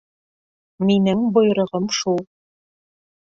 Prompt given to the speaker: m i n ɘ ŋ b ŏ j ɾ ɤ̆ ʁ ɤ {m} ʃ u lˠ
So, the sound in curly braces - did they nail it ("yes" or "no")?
yes